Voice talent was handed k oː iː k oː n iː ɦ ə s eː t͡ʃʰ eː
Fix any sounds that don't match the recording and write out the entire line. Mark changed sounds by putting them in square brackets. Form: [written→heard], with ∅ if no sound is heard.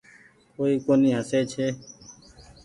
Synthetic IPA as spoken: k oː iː k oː n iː ɦ ə s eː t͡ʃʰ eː